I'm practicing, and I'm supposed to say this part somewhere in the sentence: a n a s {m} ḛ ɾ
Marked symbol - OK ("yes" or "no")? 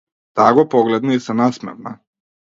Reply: yes